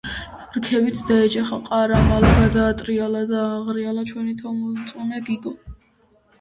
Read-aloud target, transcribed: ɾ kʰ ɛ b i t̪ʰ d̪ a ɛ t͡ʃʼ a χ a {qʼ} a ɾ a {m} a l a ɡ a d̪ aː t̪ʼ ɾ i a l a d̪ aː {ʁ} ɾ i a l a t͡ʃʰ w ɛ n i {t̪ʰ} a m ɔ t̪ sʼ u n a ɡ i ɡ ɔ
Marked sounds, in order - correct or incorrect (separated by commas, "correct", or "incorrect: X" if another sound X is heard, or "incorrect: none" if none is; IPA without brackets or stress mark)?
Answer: correct, correct, correct, correct